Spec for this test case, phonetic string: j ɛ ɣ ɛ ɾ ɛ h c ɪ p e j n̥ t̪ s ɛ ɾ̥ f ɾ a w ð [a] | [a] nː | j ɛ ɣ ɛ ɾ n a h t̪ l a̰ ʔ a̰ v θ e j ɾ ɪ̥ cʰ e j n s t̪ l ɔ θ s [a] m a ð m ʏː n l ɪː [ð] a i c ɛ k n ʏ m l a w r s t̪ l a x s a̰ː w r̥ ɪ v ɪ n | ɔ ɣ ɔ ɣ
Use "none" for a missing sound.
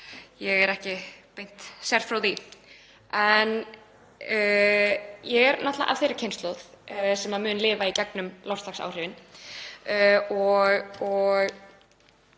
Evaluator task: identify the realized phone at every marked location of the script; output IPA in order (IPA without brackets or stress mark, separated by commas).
i, ɛ, ɛ, v